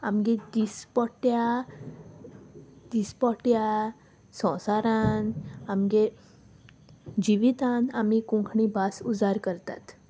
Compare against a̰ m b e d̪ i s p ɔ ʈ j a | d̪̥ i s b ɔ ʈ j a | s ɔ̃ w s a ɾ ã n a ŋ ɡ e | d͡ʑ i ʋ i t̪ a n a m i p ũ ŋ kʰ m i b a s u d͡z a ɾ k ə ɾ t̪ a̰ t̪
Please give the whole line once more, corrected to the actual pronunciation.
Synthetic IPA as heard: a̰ m ɡ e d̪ i s p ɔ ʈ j a | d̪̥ i s p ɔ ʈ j a | s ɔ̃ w s a ɾ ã n a m ɡ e | d͡ʑ i ʋ i t̪ a n a m i k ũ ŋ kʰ ɳ i b a s u d͡z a ɾ k ə ɾ t̪ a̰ t̪